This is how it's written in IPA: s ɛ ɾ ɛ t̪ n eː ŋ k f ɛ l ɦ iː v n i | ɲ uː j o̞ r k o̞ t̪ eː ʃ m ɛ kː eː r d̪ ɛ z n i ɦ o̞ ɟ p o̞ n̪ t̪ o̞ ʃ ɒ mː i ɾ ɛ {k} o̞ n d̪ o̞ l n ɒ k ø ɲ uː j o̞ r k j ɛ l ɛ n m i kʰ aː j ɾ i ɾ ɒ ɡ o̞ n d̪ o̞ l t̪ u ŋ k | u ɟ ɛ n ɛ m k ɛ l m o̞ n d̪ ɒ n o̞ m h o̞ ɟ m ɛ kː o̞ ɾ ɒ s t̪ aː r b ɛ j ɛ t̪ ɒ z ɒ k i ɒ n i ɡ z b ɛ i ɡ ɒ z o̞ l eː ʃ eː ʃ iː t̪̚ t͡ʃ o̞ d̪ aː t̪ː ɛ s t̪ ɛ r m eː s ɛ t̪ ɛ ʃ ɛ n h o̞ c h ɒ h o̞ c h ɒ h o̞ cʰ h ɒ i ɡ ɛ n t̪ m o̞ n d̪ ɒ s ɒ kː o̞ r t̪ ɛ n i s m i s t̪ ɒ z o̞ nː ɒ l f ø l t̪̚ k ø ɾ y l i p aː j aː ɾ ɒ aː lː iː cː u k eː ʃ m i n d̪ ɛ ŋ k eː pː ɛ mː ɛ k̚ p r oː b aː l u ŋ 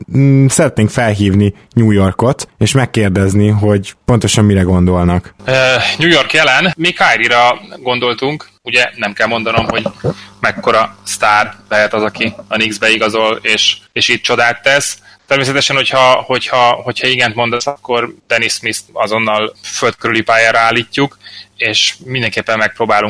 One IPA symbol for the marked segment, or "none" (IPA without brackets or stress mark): ɡ